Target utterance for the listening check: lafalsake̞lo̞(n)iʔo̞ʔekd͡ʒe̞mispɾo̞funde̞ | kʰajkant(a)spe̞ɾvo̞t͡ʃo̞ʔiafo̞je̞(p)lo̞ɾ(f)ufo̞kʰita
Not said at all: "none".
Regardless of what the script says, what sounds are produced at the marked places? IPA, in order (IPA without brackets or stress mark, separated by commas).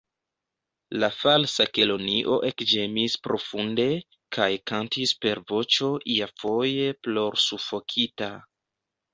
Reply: n, i, p, s